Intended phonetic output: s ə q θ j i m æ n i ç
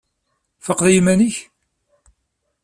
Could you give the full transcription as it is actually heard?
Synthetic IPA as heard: f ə q ð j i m æ n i ç